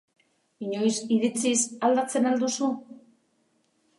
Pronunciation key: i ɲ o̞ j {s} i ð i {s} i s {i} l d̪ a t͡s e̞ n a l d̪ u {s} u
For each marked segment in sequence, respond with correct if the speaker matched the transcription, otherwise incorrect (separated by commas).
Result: correct, incorrect, incorrect, correct